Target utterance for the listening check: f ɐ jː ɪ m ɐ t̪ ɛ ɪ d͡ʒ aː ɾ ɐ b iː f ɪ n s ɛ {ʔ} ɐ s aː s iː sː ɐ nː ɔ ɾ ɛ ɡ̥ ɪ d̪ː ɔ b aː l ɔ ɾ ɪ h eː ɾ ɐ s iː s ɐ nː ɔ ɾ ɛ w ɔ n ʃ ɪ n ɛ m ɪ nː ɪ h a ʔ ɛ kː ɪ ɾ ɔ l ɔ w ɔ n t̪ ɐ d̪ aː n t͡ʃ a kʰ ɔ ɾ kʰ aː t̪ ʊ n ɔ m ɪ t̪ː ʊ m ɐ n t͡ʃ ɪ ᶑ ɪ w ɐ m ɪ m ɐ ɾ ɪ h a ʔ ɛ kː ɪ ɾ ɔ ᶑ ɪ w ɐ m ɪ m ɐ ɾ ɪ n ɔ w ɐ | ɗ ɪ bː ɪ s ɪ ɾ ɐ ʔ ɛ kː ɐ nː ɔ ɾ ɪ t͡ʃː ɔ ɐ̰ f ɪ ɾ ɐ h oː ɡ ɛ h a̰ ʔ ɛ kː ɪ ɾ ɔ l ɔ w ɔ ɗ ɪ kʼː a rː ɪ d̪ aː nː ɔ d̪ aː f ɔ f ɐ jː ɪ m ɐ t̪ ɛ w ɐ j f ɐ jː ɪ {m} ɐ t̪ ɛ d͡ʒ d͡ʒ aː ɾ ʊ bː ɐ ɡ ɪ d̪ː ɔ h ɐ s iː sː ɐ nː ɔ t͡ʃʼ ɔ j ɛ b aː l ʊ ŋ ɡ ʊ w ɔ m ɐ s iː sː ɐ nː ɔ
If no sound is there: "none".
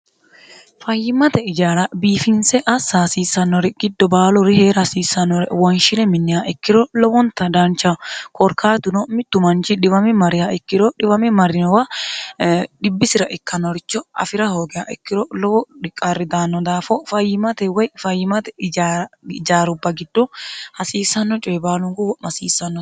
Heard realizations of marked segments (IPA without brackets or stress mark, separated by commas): ʔ, m